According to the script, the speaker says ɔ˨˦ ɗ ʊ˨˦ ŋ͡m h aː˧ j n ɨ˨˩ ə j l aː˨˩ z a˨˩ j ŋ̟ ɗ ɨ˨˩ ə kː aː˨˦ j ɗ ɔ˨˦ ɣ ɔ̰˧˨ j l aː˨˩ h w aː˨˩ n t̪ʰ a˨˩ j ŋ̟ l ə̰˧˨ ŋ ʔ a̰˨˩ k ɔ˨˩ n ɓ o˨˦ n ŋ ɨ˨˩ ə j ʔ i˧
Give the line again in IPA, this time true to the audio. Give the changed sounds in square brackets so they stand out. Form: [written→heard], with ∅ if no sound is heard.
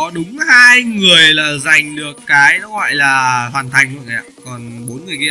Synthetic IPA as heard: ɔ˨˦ ɗ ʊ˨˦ ŋ͡m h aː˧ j [n→ŋ] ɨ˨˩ ə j l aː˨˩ z a˨˩ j ŋ̟ ɗ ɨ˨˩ ə kː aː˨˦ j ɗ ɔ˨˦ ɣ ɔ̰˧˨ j l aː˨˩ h w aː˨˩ n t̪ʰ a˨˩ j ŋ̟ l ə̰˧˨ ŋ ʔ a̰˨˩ k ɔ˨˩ n ɓ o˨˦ n ŋ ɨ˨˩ ə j [ʔ→k] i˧